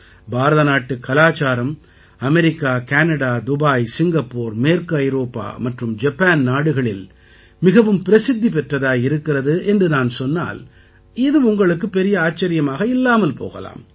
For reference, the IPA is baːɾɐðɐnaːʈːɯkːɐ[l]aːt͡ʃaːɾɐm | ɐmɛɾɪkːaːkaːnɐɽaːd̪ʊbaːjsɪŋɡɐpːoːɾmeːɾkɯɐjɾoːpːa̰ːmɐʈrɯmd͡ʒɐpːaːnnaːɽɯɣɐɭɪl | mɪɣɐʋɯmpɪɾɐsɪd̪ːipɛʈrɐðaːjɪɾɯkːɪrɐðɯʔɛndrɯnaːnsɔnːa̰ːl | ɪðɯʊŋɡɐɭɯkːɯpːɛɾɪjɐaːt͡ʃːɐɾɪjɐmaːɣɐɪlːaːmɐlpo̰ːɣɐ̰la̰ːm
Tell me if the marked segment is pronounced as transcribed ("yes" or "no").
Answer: yes